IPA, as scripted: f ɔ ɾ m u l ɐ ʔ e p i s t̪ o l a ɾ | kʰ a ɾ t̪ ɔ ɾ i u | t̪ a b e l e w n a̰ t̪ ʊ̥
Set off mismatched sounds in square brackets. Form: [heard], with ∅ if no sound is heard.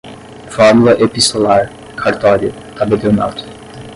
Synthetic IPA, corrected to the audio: f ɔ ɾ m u l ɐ ʔ e p i s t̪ o l a ɾ | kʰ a ɾ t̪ ɔ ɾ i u | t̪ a b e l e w n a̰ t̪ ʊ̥